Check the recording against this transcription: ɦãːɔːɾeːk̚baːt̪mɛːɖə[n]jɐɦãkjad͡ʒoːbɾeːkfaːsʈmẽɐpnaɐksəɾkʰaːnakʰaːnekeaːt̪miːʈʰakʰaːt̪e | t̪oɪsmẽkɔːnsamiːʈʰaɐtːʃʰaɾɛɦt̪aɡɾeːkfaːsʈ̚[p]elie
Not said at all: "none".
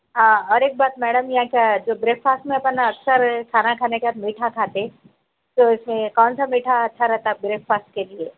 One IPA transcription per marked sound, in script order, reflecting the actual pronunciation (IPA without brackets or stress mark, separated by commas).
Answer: m, k